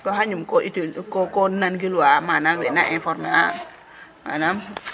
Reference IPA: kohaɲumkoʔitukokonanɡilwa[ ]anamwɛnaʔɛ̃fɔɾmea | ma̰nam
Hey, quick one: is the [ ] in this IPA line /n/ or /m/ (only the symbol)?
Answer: m